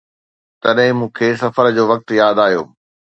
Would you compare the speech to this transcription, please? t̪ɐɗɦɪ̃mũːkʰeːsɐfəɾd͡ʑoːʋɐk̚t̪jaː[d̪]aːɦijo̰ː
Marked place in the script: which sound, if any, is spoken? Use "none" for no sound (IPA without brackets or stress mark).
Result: d̪